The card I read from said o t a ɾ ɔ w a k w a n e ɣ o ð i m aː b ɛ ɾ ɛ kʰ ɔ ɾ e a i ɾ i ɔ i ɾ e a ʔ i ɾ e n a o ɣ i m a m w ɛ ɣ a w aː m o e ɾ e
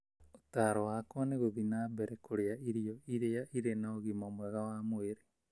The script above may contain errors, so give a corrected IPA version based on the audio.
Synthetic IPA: o t a ɾ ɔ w a k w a n e ɣ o ð i n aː b ɛ ɾ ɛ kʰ o ɾ e a i ɾ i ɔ i ɾ e a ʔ i ɾ e n a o ɣ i m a m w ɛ ɣ a w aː m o e ɾ e